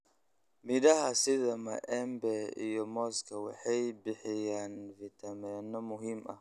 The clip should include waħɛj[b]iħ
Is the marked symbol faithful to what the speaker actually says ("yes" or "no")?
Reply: yes